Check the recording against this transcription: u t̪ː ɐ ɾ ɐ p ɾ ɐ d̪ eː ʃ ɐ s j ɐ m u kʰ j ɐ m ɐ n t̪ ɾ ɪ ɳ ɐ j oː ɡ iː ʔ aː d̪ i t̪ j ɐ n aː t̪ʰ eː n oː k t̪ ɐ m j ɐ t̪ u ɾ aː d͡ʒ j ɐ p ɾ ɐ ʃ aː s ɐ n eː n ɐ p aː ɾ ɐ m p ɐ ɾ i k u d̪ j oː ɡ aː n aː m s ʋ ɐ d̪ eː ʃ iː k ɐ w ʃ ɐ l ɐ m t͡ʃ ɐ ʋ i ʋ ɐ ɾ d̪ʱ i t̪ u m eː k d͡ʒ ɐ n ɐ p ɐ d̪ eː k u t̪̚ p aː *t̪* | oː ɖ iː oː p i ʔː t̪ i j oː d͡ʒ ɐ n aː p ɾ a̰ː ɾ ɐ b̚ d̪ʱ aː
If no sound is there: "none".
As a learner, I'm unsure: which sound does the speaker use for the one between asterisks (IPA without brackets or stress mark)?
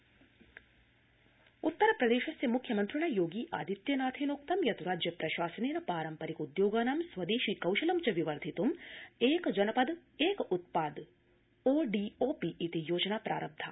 d̪